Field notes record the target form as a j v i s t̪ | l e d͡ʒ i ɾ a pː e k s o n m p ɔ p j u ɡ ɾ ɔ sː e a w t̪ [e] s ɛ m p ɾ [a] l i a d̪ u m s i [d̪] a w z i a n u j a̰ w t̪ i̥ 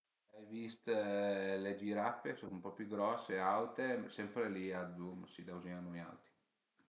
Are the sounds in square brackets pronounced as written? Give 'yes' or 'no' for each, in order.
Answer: yes, no, yes

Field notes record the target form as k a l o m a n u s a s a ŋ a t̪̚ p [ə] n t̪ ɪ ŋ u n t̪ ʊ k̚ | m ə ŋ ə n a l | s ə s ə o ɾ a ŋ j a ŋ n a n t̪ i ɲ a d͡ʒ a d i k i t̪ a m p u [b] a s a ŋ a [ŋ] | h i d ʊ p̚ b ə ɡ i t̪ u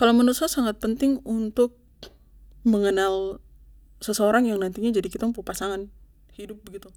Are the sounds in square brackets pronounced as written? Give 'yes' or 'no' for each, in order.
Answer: yes, no, no

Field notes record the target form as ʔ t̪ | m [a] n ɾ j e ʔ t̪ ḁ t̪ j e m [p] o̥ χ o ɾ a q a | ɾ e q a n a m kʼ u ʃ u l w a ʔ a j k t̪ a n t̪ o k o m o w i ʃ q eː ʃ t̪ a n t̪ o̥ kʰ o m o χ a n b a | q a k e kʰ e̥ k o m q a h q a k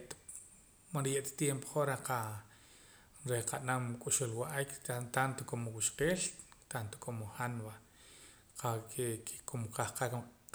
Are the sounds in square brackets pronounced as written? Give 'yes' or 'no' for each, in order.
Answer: yes, yes

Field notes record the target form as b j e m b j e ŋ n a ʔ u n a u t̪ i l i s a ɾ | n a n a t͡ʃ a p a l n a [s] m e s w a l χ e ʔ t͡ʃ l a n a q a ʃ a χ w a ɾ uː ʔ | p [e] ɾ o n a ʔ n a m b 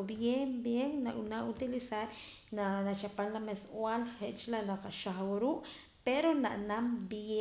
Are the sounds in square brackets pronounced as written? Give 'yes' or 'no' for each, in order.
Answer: no, yes

